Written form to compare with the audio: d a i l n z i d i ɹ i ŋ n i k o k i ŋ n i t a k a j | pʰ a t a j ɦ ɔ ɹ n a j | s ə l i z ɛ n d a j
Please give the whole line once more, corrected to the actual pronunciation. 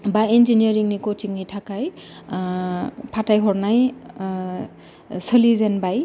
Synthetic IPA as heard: b a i n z i n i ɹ i ŋ n i k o t i ŋ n i tʰ a k a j | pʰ a t a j ɦ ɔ ɹ n a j | s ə l i z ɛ n b a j